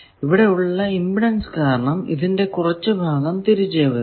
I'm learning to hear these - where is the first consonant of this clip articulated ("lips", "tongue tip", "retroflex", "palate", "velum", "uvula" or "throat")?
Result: lips